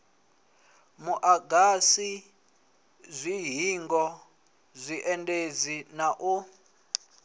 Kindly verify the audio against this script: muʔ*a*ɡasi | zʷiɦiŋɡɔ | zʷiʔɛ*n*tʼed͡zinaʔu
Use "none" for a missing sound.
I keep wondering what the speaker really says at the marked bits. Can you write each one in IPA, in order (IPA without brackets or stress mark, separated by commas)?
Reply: a, n